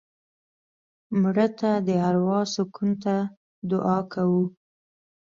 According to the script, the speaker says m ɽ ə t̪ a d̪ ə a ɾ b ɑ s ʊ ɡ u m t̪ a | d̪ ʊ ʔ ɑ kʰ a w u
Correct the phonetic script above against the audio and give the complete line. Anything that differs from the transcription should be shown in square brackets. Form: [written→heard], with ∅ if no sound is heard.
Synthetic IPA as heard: m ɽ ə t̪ a d̪ ə a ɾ [b→w] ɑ s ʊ [ɡ→k] u [m→n] t̪ a | d̪ ʊ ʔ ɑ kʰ a w u